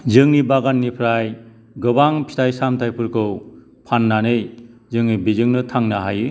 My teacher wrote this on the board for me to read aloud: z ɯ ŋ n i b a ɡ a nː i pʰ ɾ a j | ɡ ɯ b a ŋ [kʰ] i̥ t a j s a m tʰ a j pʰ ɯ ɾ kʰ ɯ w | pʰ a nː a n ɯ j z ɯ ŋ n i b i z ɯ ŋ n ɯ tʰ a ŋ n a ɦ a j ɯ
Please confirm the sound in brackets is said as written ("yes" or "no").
no